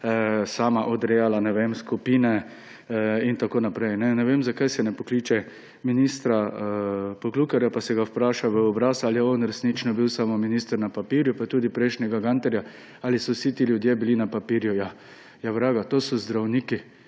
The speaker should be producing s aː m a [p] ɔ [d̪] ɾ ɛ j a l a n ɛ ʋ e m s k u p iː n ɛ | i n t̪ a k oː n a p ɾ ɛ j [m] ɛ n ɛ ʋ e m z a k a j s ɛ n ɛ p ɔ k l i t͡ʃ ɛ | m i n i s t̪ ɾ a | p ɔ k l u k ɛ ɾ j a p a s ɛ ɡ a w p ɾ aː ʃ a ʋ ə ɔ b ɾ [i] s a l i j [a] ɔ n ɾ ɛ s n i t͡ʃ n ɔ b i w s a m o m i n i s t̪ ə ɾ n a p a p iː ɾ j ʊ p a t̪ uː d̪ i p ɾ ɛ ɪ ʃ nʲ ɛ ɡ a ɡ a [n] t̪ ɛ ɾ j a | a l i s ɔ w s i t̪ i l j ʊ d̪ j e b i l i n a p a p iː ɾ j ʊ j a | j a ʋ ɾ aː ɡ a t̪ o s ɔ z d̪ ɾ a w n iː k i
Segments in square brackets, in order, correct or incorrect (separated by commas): incorrect, correct, incorrect, incorrect, incorrect, correct